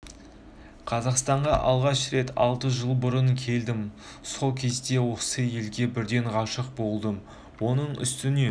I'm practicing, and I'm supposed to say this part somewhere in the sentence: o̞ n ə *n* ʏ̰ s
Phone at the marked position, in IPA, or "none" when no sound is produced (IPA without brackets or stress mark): ɴ